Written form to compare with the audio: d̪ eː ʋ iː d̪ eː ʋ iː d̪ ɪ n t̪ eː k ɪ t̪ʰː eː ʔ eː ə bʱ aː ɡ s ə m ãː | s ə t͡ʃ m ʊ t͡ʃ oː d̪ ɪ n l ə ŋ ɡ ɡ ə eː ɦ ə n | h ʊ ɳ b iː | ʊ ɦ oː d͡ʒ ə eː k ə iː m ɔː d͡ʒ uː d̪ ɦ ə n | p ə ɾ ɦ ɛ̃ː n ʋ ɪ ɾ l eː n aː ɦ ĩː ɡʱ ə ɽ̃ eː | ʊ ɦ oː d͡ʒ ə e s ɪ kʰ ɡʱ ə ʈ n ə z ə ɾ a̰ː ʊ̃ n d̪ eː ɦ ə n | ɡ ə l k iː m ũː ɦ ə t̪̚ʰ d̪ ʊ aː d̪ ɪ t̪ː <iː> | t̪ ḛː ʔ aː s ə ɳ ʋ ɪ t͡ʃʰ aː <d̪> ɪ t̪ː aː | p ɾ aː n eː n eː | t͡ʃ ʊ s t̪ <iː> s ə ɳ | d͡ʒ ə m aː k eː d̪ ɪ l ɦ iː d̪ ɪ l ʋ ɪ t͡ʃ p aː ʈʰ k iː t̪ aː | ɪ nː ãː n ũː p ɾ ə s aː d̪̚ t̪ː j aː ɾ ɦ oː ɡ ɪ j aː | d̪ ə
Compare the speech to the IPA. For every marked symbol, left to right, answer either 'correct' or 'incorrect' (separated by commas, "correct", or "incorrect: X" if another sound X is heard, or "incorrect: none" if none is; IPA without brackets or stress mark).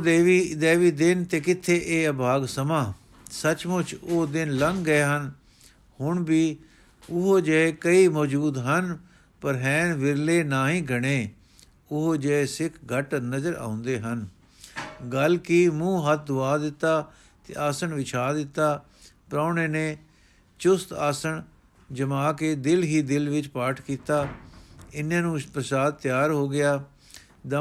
incorrect: aː, correct, incorrect: aː